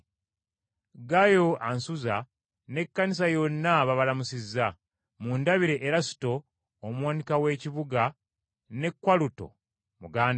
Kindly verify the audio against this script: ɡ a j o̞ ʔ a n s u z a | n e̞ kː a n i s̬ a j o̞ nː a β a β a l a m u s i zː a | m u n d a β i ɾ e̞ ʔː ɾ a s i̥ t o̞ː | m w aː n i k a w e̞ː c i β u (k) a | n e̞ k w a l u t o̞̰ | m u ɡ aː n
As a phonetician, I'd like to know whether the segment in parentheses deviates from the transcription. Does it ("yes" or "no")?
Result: yes